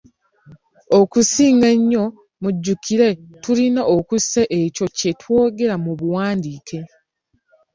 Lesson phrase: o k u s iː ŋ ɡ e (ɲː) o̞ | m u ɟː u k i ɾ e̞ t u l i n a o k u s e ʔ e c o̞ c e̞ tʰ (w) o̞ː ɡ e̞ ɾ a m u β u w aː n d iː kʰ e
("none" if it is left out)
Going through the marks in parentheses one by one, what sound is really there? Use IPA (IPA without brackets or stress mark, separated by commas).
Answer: ɲː, w